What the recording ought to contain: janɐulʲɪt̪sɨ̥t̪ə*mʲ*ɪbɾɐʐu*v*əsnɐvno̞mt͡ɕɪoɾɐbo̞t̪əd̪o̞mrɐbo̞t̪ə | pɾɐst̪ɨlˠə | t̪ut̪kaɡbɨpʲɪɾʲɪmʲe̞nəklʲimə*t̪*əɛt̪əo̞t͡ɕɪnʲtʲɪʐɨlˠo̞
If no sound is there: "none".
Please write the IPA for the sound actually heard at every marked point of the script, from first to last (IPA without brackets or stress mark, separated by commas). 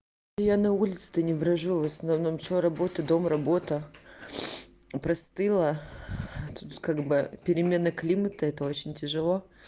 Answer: nʲ, v, t̪